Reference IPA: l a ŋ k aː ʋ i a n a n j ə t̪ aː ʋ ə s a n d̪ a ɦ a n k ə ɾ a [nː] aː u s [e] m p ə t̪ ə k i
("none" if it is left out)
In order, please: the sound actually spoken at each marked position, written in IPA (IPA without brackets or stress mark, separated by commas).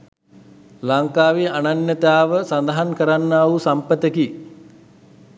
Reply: nː, a